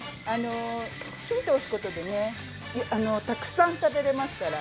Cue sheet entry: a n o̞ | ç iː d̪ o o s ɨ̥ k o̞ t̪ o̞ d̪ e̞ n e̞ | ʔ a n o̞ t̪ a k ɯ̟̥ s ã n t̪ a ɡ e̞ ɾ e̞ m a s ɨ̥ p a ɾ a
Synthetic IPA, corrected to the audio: a n o̞ | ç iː t̪ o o s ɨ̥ k o̞ t̪ o̞ d̪ e̞ n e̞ | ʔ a n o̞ t̪ a k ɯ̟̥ s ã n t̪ a b e̞ ɾ e̞ m a s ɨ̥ k a ɾ a